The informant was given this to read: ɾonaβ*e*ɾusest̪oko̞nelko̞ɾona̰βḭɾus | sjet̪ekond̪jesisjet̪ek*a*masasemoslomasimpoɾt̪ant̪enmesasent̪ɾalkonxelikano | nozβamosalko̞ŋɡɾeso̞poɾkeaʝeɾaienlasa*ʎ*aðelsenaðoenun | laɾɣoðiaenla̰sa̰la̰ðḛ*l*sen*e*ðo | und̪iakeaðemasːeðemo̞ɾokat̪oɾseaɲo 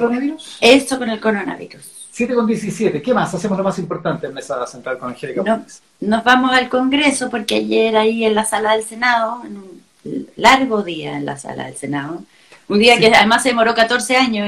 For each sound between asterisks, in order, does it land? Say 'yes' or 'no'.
no, no, no, yes, no

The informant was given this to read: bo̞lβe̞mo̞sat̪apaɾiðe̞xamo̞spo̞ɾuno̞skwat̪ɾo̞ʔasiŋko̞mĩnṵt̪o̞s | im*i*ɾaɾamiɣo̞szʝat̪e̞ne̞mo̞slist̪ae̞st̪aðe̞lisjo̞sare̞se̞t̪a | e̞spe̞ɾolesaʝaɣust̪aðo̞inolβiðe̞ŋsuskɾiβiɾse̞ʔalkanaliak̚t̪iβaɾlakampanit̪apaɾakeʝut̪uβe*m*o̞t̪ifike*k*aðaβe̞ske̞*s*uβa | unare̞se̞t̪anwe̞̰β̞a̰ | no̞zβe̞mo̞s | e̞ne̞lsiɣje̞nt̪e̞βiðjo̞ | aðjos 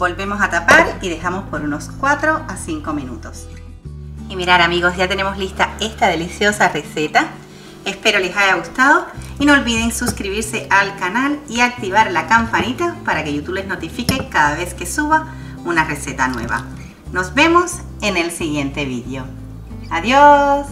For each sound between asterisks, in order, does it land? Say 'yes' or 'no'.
yes, no, yes, yes

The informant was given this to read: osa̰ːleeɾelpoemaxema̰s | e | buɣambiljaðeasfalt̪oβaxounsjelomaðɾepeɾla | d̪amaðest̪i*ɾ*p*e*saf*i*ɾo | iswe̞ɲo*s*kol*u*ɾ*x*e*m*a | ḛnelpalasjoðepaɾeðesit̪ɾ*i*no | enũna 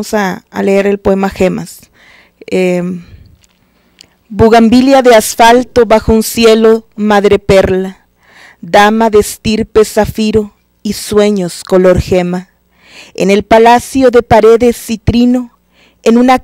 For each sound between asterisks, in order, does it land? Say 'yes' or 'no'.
yes, yes, yes, yes, no, yes, yes, yes

